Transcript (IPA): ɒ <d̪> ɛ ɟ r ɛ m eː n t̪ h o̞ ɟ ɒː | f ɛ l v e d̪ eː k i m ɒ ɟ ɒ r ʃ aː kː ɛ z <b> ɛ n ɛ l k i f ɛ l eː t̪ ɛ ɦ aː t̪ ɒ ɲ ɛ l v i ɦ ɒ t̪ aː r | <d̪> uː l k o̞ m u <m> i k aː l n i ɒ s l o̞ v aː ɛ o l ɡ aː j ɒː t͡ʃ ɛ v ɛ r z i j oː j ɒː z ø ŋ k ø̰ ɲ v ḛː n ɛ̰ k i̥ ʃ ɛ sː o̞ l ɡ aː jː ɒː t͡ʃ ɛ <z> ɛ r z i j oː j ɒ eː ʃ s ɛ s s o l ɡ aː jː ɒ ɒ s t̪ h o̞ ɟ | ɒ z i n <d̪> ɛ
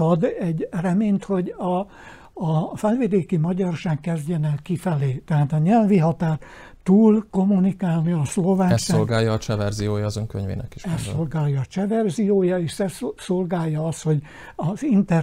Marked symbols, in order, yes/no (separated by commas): yes, no, no, no, no, no